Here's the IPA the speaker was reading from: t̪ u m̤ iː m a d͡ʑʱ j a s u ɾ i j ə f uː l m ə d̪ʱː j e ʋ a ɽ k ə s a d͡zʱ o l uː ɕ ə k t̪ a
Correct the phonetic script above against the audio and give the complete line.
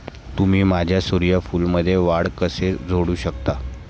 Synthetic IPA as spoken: t̪ u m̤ iː m a d͡ʑʱ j a s u ɾ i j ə f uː l m ə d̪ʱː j e ʋ a ɽ k ə s e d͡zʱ o ɽ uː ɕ ə k t̪ a